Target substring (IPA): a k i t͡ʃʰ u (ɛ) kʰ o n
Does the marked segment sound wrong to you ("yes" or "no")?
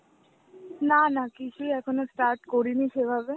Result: no